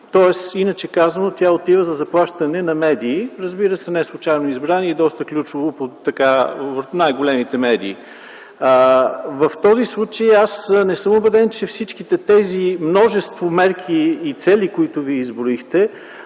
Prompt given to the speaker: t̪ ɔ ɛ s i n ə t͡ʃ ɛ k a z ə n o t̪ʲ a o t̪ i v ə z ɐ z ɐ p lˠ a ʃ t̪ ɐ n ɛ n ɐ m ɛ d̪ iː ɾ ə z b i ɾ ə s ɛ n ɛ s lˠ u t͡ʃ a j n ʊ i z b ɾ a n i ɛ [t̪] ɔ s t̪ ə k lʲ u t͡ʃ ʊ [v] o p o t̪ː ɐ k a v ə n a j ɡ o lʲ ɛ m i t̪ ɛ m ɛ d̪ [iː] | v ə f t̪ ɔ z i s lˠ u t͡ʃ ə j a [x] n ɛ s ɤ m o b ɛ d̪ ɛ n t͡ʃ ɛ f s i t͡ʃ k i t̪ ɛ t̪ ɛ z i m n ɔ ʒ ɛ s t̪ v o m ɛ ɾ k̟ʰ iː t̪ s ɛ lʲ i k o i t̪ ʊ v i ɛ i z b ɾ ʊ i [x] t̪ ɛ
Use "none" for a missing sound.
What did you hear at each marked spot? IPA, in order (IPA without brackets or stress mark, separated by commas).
d̪, v, iː, s, x